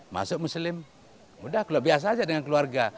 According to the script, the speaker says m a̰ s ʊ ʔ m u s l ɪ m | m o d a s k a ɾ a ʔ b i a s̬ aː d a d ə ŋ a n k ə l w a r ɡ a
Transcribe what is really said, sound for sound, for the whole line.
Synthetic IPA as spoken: m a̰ s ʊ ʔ m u s l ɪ m | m u d a h k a l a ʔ b i a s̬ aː d͡ʒ a d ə ŋ a n k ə l u a r ɡ a